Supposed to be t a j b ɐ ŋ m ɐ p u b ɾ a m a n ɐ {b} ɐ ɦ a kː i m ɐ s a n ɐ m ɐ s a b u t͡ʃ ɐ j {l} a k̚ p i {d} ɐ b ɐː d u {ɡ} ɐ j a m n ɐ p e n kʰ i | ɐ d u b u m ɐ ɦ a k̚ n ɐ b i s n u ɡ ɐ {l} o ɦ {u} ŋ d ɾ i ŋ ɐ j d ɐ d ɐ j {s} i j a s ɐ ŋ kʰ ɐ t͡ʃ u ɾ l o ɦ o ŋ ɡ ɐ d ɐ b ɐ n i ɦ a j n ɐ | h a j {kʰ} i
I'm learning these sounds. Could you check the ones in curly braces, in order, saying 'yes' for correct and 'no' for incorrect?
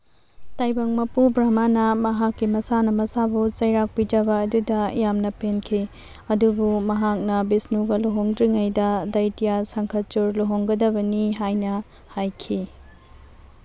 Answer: no, no, no, no, yes, no, no, yes

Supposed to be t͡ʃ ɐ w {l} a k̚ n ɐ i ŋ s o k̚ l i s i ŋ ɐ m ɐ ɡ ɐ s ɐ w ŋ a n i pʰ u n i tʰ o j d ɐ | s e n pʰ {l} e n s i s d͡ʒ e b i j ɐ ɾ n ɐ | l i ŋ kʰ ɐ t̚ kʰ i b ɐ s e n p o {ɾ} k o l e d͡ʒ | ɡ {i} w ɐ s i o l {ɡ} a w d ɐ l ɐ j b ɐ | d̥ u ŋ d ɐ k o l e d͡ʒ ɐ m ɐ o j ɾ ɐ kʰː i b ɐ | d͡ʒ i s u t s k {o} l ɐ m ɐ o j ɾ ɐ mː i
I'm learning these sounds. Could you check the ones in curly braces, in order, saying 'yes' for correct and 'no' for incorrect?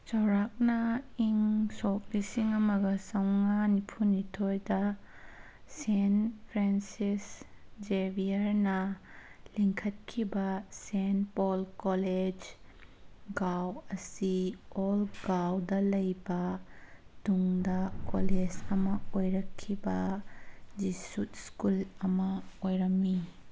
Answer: no, no, no, no, yes, no

